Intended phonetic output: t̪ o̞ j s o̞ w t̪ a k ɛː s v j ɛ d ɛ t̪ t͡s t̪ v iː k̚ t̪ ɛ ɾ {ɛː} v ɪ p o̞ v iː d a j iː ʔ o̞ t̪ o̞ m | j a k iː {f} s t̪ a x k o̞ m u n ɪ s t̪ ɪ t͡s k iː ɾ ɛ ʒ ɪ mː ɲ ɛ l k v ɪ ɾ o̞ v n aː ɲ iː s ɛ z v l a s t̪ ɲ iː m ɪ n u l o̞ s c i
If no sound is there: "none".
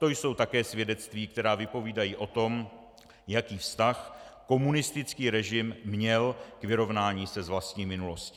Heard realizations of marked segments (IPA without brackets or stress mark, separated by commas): aː, f